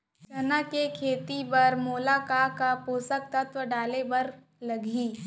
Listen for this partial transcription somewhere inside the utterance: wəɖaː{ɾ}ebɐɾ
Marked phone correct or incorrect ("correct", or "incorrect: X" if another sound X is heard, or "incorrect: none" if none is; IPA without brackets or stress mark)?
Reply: incorrect: l